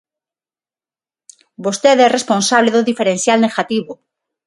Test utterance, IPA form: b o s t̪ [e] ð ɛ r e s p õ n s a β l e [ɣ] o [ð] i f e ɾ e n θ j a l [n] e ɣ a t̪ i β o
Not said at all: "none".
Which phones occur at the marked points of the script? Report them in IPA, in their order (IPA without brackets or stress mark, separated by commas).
e, ð, ð, n